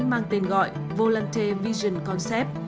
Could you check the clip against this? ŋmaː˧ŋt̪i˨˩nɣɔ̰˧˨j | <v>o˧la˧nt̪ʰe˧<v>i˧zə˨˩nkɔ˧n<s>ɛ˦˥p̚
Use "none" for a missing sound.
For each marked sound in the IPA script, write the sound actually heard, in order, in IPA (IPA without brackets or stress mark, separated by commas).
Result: v, v, s